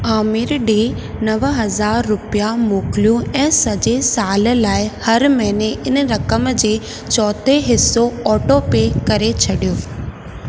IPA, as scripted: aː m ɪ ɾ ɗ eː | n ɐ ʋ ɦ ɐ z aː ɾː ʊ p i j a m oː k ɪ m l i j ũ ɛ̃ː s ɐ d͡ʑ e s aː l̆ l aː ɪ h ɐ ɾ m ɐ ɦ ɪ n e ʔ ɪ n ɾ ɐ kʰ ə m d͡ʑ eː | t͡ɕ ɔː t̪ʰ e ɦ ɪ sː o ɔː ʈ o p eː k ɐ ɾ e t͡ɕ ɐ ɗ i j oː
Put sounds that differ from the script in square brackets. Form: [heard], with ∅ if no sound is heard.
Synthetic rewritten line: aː m ɪ ɾ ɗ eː | n ɐ ʋ ɦ ɐ z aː ɾː ʊ p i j a m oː k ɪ [∅] l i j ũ ɛ̃ː s ɐ d͡ʑ e s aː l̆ l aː ɪ h ɐ ɾ m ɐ ɦ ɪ n e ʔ ɪ n ɾ ɐ [k] ə m d͡ʑ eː | t͡ɕ ɔː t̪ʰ e ɦ ɪ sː o ɔː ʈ o p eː k ɐ ɾ e [t͡ɕʰ] ɐ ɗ i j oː